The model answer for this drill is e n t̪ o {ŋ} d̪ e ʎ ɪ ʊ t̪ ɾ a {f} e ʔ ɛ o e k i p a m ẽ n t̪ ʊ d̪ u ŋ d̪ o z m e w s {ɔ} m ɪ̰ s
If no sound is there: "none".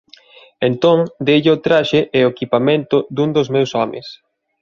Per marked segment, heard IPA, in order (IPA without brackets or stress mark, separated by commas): ŋ, ʃ, ɔ